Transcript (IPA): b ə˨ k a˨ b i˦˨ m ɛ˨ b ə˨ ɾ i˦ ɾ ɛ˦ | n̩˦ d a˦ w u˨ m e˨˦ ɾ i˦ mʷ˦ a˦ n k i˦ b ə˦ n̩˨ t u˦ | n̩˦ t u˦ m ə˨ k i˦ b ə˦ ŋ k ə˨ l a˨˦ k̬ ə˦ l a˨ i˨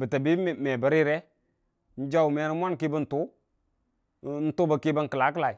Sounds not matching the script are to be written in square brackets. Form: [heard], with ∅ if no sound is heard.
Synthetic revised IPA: b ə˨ [t] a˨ b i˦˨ m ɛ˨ b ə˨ ɾ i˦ ɾ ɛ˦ | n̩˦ [d͡ʒ] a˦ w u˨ m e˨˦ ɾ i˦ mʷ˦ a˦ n k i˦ b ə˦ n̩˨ t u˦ | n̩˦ t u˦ [b] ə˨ k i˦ b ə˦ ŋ k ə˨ l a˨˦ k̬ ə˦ l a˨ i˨

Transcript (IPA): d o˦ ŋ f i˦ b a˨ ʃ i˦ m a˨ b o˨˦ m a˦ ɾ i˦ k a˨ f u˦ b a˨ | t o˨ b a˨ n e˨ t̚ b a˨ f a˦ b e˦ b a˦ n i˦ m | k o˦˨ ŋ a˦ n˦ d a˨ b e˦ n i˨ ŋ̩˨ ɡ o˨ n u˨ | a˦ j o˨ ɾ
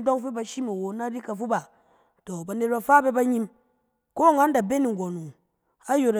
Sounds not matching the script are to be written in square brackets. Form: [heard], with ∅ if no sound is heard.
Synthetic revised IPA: d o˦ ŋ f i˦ b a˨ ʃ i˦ m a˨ [w] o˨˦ [n] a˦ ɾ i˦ k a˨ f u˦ b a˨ | t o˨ b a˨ n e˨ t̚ b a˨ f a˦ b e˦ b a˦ [ɲ] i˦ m | k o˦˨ ŋ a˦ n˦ d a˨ b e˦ n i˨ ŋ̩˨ ɡ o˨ n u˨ | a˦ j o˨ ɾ

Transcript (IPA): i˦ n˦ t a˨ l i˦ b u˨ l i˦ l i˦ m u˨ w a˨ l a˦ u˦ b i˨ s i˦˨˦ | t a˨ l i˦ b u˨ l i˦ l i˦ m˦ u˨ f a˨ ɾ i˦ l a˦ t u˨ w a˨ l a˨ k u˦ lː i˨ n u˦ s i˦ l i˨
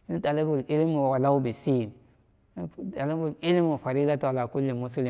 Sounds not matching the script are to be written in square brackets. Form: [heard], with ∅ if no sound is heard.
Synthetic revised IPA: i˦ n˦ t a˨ l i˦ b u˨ l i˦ l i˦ m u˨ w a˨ l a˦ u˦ b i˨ s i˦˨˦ | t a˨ l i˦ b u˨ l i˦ l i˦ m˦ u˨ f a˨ ɾ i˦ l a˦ t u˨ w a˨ l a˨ k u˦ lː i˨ [m] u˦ s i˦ l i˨

